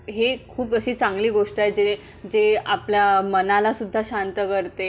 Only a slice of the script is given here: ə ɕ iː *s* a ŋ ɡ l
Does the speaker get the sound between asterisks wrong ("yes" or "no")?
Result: yes